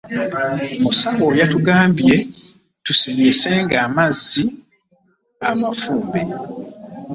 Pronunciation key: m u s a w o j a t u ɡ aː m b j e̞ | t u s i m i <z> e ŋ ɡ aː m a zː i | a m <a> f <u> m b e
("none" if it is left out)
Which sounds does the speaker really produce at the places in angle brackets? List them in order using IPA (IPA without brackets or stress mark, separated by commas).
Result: s, a, uː